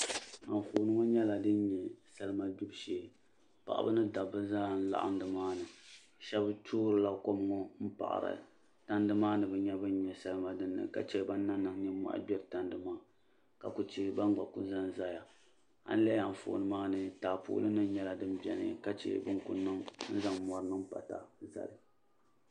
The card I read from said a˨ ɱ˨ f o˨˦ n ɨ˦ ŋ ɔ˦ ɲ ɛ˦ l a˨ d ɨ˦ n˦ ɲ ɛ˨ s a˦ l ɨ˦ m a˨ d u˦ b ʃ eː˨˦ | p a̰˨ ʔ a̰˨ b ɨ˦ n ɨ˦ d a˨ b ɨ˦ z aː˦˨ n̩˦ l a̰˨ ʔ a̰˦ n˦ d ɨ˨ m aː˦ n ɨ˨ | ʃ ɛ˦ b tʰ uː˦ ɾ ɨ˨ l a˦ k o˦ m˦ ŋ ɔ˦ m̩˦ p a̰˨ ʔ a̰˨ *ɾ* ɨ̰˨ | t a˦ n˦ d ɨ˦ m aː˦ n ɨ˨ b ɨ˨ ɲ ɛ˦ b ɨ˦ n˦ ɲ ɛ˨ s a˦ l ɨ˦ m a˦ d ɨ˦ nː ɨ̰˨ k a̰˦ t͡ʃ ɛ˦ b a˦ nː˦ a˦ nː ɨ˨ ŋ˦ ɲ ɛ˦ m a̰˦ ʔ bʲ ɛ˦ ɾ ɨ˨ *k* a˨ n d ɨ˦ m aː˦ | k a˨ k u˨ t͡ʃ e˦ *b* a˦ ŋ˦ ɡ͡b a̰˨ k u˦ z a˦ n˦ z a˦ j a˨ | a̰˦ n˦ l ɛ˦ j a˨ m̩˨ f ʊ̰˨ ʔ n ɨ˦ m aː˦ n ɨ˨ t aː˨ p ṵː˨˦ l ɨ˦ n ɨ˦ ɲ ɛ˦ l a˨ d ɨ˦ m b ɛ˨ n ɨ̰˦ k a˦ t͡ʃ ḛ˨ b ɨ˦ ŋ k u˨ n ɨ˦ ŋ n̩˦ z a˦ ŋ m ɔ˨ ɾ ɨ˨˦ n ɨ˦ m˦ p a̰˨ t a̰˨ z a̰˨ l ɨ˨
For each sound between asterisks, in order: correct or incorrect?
correct, incorrect, correct

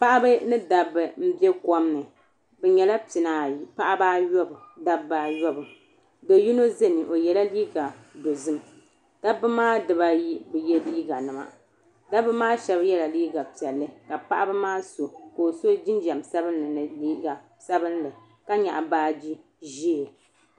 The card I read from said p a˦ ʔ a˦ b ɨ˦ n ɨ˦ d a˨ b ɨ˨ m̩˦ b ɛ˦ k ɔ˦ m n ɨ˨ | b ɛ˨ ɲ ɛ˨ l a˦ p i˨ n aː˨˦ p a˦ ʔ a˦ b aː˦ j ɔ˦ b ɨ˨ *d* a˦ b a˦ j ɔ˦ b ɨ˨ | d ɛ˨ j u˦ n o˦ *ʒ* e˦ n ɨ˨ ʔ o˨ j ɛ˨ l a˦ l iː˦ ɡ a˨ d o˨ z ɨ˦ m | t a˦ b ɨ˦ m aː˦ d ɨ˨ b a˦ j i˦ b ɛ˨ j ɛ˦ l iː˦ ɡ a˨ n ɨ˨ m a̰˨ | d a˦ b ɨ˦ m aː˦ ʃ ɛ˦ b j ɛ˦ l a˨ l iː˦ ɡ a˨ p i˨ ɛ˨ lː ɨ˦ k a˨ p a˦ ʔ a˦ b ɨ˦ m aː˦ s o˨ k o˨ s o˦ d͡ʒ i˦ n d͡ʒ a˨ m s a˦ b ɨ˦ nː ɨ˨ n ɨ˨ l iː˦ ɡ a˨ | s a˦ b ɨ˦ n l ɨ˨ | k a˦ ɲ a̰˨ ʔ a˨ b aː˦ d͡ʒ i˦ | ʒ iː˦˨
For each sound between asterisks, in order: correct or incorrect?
correct, incorrect

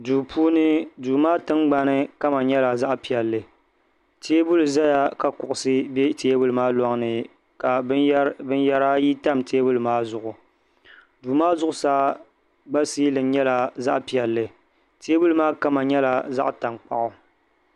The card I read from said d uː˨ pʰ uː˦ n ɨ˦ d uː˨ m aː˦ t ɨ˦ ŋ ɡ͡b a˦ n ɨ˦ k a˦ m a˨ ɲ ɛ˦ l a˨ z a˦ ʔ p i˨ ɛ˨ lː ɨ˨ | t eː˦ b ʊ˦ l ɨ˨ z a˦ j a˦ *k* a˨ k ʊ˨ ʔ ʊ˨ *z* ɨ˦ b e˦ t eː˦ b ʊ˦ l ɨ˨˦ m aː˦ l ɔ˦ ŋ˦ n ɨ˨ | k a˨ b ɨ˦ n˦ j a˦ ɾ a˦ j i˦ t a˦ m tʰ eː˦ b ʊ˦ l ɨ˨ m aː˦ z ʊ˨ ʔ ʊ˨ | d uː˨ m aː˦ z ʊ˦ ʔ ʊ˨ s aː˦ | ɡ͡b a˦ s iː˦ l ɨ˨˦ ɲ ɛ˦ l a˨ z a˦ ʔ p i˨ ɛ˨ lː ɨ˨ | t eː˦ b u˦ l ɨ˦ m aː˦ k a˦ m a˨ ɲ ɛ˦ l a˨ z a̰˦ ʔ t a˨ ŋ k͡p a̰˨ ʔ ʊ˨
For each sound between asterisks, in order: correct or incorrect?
correct, incorrect

